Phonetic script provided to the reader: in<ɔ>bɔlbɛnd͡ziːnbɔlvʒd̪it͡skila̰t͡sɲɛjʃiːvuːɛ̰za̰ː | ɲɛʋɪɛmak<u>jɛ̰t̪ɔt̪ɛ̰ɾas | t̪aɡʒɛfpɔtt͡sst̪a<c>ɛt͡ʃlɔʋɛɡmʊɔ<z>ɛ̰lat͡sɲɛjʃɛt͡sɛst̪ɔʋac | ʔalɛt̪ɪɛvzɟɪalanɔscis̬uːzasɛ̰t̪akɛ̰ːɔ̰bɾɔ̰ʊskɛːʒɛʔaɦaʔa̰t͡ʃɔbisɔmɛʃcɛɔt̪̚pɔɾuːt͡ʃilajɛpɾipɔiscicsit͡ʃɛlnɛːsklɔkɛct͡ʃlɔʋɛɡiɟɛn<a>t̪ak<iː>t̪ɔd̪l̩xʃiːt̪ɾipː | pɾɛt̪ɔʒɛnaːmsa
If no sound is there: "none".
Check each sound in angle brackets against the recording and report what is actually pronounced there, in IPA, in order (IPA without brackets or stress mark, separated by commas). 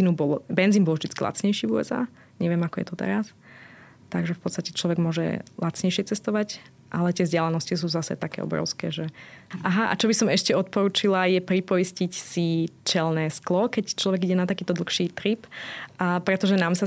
u, ɔ, c, ʒ, a, iː